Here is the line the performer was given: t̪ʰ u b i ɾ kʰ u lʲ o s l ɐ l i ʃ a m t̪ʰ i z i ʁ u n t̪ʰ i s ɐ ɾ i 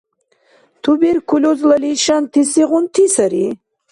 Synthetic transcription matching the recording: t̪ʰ u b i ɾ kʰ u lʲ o z l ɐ l i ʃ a n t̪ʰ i s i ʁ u n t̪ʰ i s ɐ ɾ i